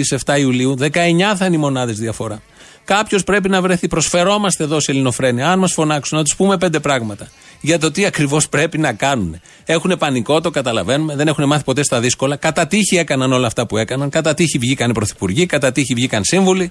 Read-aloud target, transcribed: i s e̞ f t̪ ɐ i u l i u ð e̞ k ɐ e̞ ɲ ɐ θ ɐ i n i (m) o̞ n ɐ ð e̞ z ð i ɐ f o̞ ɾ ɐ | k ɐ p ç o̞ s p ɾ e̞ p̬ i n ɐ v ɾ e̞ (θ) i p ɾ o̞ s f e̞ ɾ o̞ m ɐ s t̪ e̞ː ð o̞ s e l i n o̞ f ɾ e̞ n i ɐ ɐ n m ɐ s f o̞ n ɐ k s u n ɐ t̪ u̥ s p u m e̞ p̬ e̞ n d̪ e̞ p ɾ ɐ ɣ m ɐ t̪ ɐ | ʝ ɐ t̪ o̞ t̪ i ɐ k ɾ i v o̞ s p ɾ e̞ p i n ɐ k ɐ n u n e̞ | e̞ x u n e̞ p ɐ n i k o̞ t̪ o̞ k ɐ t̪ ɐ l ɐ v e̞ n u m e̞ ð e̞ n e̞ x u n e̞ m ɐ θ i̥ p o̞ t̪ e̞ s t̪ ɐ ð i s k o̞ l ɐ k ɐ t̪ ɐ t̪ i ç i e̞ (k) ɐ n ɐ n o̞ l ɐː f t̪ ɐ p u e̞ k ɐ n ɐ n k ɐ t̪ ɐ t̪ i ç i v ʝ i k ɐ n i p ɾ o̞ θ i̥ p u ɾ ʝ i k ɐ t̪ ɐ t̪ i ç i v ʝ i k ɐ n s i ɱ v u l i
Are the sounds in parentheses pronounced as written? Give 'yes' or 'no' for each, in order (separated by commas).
yes, yes, yes